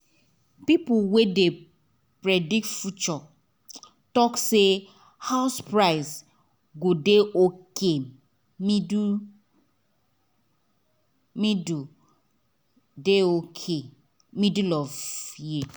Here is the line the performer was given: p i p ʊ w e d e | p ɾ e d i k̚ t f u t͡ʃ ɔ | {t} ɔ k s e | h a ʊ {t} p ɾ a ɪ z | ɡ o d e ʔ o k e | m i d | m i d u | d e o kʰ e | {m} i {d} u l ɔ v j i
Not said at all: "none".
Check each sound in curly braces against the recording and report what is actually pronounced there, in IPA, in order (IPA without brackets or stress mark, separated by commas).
t, s, m, d